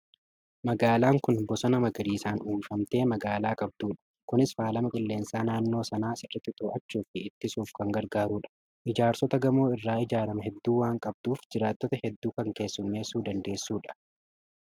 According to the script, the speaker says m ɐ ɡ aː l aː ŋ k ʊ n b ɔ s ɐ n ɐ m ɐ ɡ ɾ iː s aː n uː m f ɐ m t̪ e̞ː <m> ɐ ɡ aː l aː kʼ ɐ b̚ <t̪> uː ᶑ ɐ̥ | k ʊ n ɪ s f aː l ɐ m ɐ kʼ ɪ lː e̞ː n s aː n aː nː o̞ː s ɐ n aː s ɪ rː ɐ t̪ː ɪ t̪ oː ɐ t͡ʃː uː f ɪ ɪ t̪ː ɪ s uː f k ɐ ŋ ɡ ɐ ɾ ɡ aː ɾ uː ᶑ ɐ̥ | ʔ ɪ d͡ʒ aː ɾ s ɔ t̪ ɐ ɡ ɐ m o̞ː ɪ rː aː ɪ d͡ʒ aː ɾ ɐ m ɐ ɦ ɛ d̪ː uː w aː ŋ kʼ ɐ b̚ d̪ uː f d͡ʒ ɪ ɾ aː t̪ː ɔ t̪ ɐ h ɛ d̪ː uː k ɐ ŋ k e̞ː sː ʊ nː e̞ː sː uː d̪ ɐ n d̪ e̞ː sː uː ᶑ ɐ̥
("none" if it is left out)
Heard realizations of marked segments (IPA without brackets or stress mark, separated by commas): m, d̪